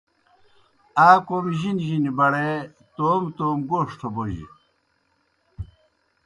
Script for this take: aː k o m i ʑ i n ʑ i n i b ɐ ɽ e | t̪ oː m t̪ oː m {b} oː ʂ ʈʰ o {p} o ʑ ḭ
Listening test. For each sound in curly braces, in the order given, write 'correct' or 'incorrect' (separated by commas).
incorrect, incorrect